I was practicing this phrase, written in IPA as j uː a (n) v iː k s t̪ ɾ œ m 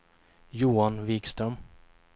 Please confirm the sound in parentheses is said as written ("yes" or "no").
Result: yes